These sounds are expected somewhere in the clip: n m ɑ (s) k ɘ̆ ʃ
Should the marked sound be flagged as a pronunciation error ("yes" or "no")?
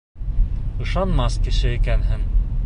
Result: no